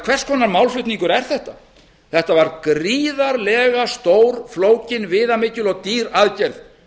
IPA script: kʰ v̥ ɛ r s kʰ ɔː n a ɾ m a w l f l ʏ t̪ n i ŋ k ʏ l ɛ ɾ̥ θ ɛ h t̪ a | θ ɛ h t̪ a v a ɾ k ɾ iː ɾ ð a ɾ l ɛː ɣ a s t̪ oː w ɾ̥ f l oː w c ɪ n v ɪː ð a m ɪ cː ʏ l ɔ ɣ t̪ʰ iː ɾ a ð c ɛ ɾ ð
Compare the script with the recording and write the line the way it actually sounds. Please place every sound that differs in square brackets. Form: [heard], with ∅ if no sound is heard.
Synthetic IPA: kʰ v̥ ɛ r s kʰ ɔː n a ɾ m a w l f l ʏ t̪ n i ŋ k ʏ [ɾ] ɛ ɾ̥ θ ɛ h t̪ a | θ ɛ h t̪ a v a ɾ k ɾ iː [∅] ð a ɾ l ɛː ɣ a s t̪ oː w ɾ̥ f l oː w c ɪ n v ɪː ð a m ɪ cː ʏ l ɔ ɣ [t̪] iː ɾ a ð c ɛ ɾ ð